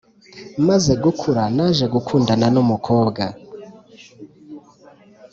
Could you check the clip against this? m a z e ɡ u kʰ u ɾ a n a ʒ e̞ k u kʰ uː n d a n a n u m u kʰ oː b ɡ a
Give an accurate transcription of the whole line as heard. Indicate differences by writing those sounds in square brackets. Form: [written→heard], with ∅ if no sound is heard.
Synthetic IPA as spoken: m a z e ɡ u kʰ u ɾ a n a ʒ e̞ [k→ɡ] u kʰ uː n d a n a n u m u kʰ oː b ɡ a